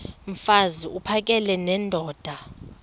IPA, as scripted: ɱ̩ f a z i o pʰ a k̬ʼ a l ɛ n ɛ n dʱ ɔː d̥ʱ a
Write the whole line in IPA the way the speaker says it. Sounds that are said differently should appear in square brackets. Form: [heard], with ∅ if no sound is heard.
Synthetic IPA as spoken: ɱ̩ f a z i [u] pʰ a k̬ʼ [ɛ] l ɛ n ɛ n dʱ ɔː d̥ʱ a